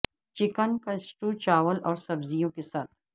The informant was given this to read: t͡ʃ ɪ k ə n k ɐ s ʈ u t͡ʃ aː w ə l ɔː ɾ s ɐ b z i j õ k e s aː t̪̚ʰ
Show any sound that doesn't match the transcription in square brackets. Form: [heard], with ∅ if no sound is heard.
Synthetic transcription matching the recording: t͡ʃ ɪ k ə n k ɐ s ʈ u t͡ʃ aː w ə l ɔː ɾ s ɐ b z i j õ k e s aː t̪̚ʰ